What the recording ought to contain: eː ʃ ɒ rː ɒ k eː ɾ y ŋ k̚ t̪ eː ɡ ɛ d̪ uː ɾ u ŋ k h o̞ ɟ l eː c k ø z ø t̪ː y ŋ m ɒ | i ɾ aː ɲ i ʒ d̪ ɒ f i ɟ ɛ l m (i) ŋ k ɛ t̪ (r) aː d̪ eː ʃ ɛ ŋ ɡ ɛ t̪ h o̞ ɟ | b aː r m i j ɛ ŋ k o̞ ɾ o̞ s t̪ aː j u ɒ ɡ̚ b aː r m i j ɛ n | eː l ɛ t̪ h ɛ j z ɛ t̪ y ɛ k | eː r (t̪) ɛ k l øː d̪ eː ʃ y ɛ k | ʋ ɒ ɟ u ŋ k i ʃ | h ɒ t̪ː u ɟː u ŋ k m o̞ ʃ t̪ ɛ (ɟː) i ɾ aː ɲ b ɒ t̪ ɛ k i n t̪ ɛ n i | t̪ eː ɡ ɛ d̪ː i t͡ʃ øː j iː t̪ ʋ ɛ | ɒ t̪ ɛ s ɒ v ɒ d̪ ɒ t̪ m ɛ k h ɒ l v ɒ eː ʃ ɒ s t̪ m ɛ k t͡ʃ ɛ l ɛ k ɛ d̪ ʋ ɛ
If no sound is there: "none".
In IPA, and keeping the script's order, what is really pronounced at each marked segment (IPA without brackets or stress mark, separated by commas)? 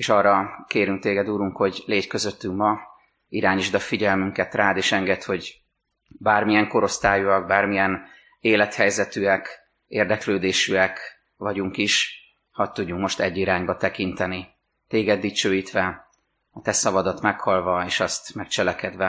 y, r, d̪, ɟː